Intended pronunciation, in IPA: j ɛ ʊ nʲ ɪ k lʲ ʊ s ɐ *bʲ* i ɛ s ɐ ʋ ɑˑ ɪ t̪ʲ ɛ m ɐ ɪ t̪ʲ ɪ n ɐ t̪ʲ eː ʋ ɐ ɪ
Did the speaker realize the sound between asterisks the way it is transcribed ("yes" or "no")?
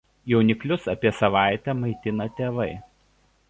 no